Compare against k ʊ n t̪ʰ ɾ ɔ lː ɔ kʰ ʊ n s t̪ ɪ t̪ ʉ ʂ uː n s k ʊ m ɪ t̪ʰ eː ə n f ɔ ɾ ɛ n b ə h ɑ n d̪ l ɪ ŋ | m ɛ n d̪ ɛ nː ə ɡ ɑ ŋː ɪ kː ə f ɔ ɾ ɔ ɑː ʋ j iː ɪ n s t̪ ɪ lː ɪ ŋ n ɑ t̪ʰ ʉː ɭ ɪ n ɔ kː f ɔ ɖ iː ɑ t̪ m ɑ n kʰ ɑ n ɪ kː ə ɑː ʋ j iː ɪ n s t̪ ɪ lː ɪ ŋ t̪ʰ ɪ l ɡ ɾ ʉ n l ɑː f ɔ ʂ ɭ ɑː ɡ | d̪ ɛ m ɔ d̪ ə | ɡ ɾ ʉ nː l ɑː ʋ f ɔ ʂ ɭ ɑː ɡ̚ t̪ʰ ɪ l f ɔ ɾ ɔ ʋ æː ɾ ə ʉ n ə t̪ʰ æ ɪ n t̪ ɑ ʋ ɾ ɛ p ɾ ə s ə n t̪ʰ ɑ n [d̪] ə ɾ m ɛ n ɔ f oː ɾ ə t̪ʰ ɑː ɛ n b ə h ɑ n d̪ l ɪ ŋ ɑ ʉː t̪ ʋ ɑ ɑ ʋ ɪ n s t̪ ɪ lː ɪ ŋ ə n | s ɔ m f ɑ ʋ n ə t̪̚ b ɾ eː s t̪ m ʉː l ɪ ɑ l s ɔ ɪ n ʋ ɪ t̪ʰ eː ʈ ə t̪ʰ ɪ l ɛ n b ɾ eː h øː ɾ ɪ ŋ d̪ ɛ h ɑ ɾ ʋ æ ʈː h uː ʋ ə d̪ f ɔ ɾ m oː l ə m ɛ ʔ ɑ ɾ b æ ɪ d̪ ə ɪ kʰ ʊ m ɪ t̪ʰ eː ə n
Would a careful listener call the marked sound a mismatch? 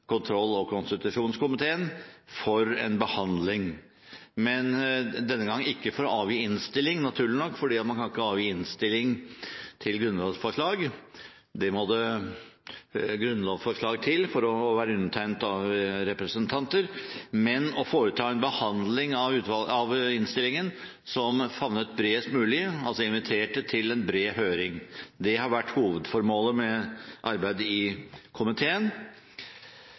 yes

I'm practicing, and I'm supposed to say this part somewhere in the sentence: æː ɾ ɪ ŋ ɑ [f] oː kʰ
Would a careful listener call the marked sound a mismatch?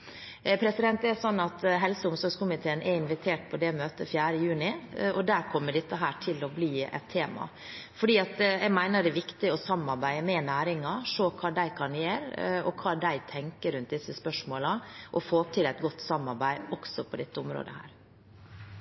yes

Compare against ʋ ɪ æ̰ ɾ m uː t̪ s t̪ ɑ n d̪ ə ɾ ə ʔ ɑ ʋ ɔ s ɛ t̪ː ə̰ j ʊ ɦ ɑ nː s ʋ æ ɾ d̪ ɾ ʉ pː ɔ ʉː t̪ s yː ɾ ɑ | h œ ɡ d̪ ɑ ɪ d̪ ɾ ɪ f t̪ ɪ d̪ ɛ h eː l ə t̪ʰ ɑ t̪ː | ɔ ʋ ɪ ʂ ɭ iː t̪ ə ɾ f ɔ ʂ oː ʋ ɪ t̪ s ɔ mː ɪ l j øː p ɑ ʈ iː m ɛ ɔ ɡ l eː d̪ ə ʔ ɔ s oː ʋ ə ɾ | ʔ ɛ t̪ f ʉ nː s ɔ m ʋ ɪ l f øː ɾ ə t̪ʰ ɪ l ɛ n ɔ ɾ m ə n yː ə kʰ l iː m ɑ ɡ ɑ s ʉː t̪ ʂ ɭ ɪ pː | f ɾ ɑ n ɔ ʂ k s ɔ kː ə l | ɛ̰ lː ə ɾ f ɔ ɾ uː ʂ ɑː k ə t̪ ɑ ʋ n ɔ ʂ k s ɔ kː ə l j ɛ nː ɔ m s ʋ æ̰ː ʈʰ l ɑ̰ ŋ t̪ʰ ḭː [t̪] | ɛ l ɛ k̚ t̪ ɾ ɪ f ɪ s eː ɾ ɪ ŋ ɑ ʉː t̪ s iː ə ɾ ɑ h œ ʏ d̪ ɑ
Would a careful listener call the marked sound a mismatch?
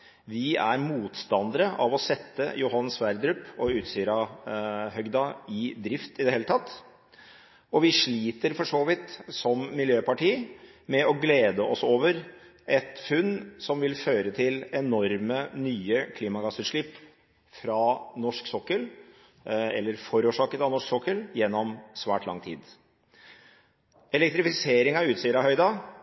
yes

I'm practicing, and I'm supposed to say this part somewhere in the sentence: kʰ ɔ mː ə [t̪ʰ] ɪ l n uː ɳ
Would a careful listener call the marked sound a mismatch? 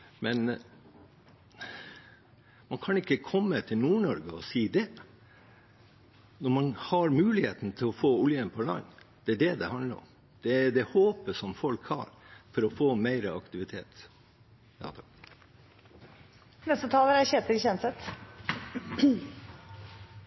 no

